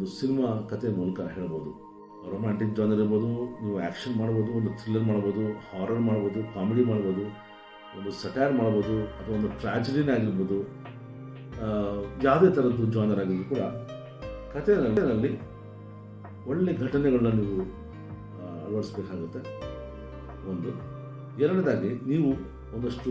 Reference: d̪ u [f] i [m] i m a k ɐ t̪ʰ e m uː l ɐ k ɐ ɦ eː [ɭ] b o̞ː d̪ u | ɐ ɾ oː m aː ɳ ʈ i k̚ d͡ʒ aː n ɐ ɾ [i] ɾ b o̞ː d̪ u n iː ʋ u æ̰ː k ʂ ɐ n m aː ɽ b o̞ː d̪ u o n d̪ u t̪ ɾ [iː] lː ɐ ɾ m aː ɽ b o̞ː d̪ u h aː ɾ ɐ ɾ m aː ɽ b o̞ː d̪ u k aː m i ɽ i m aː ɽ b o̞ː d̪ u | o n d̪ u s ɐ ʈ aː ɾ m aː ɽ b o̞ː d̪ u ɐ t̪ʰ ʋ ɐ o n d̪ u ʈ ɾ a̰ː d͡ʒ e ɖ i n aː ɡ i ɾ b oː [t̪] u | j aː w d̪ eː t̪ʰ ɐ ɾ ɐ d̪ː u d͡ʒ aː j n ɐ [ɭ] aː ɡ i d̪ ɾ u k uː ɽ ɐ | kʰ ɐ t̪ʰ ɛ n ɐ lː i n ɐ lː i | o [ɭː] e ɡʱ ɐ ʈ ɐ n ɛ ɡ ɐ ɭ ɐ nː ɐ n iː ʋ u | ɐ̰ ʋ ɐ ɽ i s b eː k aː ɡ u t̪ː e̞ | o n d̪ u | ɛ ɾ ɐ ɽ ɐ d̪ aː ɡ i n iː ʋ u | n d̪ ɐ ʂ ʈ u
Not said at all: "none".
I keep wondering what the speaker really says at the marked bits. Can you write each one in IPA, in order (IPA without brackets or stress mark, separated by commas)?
s, n, ɭ, i, i, d̪, ɾ, ɭː